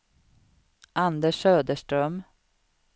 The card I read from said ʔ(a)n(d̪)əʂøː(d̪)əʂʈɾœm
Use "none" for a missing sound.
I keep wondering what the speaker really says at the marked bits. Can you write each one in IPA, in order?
a, d̪, d̪

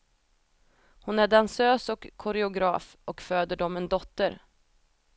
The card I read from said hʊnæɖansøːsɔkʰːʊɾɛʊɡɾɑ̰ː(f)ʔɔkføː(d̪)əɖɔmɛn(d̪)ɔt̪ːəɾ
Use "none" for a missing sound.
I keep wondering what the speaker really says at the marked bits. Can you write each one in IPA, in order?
f, d̪, d̪

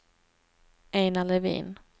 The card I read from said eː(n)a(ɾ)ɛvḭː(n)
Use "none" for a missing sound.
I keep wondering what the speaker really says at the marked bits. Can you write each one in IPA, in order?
n, l, n

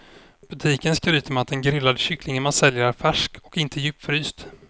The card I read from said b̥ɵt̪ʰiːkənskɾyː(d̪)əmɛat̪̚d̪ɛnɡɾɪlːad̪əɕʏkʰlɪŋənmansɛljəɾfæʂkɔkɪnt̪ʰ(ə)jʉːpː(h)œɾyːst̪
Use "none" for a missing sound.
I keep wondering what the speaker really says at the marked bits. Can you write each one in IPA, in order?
t̪, ə, f

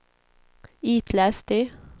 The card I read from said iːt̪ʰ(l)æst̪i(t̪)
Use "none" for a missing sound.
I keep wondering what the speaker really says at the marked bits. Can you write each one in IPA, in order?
l, none

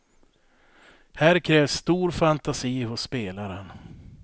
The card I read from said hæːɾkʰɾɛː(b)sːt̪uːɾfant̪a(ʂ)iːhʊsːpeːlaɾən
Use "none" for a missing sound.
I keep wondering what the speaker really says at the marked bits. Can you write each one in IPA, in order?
v, s

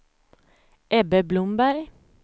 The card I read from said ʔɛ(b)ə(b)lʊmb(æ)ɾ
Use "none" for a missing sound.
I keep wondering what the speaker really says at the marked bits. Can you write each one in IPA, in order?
b, b, æ

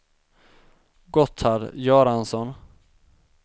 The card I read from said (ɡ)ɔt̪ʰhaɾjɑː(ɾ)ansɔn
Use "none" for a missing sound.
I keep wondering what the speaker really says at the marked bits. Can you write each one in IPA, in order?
ɡ, ɾ

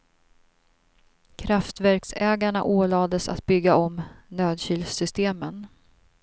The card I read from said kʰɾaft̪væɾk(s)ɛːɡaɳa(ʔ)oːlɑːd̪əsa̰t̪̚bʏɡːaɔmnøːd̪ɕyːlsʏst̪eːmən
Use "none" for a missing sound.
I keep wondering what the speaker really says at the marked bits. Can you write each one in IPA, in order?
s, ʔ

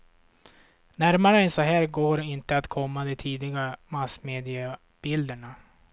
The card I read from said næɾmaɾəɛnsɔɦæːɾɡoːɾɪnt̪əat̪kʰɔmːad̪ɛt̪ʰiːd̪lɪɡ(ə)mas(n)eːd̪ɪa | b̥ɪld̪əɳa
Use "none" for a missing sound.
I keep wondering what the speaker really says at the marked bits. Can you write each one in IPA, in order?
a, m

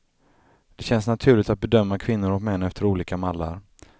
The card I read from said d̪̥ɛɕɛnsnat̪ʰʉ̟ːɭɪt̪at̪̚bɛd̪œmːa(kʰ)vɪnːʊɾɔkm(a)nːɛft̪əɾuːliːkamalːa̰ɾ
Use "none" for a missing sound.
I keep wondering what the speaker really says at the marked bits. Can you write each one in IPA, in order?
kʰ, ɛ

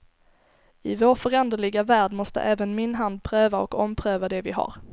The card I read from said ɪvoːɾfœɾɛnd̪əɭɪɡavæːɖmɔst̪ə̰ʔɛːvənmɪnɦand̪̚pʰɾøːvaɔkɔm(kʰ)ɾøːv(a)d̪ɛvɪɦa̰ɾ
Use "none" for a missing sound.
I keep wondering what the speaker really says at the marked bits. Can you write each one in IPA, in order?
pʰ, a

